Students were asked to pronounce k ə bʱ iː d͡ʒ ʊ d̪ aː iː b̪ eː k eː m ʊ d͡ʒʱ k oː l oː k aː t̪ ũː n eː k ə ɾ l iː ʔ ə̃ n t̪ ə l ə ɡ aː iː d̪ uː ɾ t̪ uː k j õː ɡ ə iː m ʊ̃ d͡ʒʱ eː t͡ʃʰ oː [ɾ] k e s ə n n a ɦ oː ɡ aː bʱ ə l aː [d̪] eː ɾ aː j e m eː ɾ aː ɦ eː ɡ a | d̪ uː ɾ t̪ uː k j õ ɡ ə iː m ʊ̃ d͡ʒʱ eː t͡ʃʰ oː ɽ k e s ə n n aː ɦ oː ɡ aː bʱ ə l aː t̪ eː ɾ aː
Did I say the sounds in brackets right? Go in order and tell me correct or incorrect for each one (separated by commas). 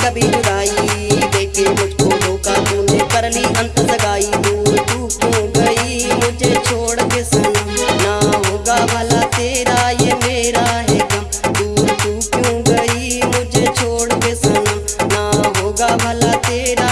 incorrect, incorrect